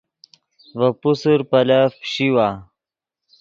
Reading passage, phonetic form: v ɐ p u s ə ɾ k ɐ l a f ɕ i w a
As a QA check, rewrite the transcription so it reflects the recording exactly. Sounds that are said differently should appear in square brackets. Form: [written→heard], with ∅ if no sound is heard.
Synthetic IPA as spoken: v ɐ p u s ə ɾ [k→p] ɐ l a f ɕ i w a